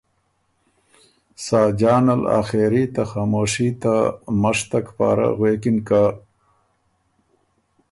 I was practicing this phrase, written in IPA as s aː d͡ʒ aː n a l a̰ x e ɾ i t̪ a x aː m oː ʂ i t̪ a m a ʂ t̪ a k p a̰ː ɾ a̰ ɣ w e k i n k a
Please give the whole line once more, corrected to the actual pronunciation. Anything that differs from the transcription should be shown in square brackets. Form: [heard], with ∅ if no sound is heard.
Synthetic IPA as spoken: s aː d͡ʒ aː n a l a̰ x e ɾ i t̪ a x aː m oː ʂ i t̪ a m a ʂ t̪ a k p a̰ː ɾ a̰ ɣ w e k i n k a